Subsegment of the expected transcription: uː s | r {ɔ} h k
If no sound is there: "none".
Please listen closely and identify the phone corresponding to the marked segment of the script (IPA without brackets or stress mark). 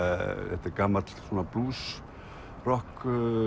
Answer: ɔ